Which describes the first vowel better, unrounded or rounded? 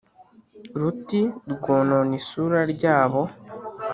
rounded